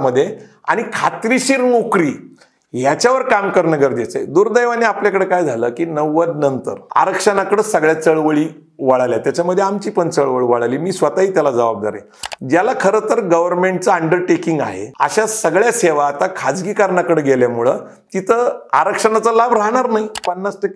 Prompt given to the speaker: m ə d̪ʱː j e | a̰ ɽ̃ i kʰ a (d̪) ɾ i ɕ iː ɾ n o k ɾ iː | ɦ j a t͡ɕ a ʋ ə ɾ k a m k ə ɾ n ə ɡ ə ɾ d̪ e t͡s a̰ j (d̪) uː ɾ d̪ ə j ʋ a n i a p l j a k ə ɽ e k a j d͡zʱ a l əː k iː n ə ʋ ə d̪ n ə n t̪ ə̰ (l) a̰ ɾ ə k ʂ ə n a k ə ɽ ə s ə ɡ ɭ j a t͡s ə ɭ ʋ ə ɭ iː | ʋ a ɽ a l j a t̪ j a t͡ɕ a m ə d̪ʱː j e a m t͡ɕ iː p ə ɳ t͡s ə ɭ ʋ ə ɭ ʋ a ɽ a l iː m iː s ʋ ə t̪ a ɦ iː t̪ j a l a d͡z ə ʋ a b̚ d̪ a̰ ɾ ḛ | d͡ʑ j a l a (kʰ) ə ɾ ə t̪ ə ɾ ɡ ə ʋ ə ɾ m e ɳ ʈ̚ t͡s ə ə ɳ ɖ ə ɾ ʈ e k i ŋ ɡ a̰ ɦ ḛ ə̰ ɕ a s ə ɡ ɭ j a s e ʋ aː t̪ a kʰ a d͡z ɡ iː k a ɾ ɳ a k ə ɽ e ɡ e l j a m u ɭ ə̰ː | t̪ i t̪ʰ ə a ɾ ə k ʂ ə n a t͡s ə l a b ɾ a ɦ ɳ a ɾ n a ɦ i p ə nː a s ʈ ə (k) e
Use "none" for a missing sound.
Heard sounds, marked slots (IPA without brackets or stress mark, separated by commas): t̪, d̪, ɾ, kʰ, k